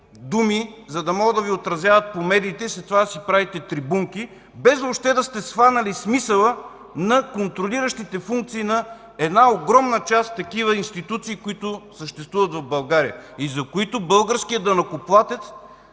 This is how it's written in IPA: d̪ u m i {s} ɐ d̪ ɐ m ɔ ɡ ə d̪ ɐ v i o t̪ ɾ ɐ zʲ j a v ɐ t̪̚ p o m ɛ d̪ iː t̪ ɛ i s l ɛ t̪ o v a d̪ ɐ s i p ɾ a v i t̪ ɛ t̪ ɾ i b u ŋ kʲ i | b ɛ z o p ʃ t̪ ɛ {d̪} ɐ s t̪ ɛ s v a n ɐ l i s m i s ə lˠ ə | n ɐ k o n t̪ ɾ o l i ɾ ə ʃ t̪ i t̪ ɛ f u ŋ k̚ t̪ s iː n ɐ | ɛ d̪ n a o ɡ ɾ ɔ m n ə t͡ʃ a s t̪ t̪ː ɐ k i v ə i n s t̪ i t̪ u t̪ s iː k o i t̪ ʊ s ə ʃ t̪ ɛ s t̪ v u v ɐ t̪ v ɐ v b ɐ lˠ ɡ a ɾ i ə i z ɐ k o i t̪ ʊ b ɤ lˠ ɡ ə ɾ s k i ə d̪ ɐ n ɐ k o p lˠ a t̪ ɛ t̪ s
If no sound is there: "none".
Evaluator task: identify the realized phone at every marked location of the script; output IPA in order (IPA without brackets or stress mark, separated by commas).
z, d̪